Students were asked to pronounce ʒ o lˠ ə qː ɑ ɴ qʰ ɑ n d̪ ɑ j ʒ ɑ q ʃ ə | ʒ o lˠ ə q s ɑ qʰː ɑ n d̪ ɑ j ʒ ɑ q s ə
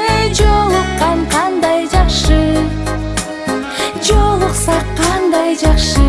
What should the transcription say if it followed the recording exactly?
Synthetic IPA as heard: ʒ o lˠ ə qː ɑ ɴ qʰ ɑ n d̪ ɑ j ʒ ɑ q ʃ ə | ʒ o lˠ ə q s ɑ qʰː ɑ n d̪ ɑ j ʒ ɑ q ʃ ə